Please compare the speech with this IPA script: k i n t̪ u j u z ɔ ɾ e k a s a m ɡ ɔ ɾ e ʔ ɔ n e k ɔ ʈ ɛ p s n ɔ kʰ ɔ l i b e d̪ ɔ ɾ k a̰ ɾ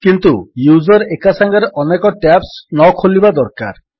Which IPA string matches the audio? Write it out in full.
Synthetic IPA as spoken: k i n t̪ u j u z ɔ ɾ e k a s a ŋ ɡ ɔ ɾ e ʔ ɔ n e k ɔ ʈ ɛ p s n ɔ kʰ o l i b a d̪ ɔ ɾ k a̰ ɾ